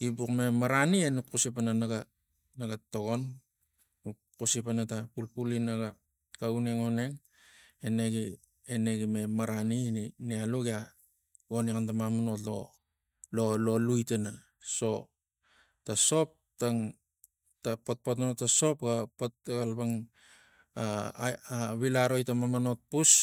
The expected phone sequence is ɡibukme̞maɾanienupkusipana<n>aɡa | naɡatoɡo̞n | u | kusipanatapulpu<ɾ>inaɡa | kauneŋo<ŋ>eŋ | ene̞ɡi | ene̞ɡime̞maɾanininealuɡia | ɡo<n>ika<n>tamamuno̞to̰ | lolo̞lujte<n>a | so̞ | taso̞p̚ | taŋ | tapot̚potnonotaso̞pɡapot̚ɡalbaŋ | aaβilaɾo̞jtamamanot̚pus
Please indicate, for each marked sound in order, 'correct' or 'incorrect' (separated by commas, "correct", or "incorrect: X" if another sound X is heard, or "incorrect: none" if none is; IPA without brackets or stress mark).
correct, incorrect: l, incorrect: n, correct, correct, correct